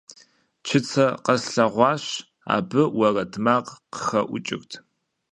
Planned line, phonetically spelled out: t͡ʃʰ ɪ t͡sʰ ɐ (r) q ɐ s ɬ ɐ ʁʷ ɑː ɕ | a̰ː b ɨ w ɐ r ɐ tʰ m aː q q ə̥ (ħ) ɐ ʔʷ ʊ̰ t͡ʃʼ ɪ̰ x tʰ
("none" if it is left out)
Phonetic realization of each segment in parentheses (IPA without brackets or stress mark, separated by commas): none, x